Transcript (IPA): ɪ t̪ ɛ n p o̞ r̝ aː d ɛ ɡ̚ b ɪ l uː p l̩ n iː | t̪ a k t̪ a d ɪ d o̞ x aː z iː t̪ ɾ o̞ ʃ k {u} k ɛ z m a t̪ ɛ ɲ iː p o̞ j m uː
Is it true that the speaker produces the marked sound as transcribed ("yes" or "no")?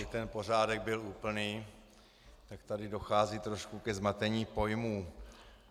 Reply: yes